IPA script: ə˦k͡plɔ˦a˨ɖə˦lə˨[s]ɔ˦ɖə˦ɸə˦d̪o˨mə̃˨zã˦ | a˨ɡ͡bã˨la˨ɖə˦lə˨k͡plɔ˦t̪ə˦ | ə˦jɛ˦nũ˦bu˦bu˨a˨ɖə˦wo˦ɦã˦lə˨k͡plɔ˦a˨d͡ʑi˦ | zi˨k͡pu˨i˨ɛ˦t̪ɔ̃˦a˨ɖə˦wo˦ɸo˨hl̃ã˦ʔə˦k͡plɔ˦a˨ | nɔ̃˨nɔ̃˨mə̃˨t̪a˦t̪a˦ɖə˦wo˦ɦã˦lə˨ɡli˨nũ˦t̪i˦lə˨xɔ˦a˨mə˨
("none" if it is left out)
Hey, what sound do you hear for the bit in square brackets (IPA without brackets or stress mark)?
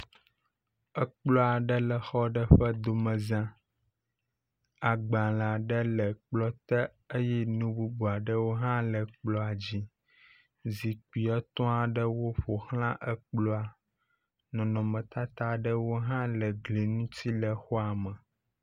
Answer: x